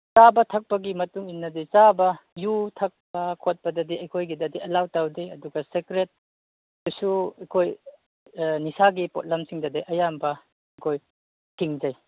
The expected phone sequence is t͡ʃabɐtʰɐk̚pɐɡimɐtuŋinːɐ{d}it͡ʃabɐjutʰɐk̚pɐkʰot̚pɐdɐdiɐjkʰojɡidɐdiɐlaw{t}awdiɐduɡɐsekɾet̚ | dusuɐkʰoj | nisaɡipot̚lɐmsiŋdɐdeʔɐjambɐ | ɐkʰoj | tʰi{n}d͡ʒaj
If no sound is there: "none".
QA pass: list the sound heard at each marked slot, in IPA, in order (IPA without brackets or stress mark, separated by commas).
d, t, ŋ